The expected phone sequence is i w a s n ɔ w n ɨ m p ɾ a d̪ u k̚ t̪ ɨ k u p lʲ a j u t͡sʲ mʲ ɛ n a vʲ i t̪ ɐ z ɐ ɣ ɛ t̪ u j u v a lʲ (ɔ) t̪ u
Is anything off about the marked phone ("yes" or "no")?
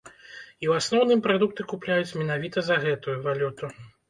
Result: yes